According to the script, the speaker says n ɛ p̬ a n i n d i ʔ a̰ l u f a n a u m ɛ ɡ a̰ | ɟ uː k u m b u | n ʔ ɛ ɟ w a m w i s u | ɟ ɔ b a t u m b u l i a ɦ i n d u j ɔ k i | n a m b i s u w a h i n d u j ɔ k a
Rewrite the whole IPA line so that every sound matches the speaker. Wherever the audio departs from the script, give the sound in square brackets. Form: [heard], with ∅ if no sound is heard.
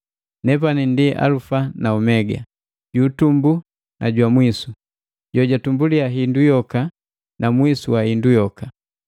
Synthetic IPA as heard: n ɛ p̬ a n i n d i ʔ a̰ l u f a n a u m ɛ ɡ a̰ | ɟ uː [t] u m b u | n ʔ [a] ɟ w a m w i s u | ɟ ɔ [ɟ] a t u m b u l i a ɦ i n d u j ɔ k [a] | n a m [w] i s u w a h i n d u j ɔ k a